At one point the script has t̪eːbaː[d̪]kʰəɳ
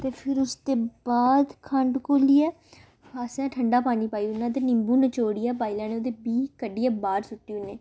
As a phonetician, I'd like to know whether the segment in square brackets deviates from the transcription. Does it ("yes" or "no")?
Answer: no